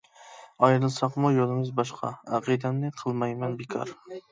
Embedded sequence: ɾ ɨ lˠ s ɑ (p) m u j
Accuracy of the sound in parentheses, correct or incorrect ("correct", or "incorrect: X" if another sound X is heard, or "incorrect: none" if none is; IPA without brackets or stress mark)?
incorrect: q